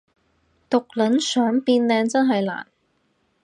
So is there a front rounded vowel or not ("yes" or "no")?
yes